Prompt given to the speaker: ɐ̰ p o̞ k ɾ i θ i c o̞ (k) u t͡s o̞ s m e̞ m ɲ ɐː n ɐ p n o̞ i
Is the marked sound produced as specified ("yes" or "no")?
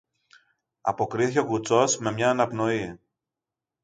yes